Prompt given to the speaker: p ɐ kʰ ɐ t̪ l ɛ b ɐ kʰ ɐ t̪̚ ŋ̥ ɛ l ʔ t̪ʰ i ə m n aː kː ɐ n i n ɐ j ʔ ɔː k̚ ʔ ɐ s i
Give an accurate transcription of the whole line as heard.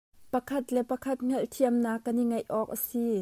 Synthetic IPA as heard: p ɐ kʰ ɐ t̪ l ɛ p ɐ kʰ ɐ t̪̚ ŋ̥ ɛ l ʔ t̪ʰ i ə m n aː kː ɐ n i ŋ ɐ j ʔ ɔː k̚ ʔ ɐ s i